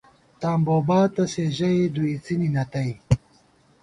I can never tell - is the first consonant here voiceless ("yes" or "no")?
yes